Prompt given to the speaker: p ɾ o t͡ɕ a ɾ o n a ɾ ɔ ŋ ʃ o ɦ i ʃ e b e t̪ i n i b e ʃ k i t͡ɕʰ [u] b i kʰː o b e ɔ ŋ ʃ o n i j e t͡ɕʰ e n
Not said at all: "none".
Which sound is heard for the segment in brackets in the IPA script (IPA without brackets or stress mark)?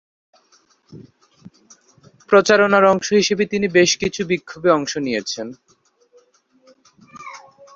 u